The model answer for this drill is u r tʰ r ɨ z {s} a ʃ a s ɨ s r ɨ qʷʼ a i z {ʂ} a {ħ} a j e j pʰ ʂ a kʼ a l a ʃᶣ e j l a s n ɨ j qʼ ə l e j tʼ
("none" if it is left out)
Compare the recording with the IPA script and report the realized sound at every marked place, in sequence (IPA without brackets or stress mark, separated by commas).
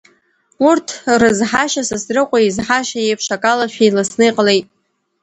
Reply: ħ, ħ, ʃ